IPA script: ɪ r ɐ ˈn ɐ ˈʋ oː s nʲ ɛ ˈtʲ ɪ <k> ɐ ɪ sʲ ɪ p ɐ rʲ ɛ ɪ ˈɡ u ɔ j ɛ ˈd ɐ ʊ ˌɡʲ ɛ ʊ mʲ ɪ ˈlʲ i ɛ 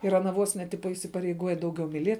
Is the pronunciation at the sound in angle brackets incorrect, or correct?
incorrect